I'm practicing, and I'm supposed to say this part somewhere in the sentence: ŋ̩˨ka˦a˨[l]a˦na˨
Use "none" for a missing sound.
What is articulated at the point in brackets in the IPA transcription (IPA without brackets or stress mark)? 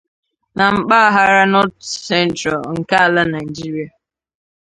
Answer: l